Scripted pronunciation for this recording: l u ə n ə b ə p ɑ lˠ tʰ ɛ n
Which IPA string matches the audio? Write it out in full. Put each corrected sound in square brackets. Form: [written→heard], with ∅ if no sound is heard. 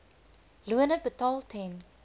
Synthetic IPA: l u ə n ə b ə [p→t] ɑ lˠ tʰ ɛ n

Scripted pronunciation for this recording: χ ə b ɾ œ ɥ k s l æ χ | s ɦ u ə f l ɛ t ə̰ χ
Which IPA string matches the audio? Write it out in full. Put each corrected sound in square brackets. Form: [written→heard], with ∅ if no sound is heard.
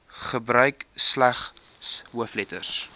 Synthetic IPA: χ ə b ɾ œ ɥ k s l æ χ | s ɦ u ə f l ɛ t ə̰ [χ→s]

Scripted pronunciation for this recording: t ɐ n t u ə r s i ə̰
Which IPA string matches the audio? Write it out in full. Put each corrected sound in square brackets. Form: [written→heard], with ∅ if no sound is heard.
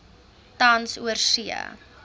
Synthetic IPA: t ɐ n [t→s] u ə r s i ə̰

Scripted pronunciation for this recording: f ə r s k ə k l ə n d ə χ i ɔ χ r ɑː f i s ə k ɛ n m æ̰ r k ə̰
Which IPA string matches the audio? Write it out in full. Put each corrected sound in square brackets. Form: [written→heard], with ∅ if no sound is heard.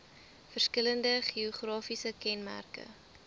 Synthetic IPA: f ə r s k ə [k→∅] l ə n d ə χ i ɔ χ r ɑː f i s ə k ɛ n m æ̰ r k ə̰

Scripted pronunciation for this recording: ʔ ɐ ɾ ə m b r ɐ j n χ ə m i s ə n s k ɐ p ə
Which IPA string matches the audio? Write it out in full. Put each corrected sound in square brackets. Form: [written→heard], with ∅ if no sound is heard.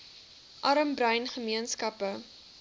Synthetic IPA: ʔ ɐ ɾ ə m b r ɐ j n χ ə m i [s→∅] ə n s k ɐ p ə

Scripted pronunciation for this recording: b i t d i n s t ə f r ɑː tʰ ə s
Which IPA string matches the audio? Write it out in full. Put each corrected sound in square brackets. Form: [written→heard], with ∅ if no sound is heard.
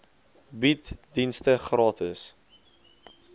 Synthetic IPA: b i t d i n s t ə [f→χ] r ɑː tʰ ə s

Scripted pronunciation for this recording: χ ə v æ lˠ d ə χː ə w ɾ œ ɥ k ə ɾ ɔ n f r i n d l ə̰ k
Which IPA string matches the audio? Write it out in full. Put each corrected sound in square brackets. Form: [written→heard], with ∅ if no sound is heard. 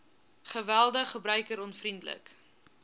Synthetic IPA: χ ə v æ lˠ d ə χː ə [w→b] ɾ œ ɥ k ə ɾ ɔ n f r i n d l ə̰ k

